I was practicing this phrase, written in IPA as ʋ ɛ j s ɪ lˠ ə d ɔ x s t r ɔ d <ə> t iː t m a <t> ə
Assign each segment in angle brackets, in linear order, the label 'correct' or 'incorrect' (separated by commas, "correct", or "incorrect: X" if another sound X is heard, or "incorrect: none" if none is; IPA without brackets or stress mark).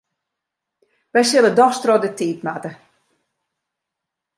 correct, correct